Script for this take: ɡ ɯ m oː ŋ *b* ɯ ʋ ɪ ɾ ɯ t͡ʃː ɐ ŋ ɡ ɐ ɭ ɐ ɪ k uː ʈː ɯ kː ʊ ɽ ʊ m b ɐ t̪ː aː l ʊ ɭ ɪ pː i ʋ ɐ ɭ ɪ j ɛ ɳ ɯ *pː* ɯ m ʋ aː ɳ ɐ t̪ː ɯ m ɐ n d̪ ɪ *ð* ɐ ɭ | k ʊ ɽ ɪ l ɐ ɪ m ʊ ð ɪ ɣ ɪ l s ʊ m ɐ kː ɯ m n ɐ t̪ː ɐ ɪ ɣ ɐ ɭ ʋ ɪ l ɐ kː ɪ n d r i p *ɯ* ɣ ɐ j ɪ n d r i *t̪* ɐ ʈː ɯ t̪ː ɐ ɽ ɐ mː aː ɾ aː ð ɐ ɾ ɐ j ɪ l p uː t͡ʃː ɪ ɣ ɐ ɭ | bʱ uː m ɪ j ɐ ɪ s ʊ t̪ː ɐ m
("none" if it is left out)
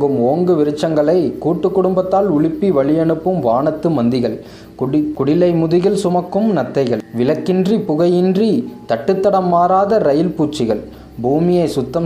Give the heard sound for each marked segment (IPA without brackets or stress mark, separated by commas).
ɡ, pː, ɣ, ʊ, t̪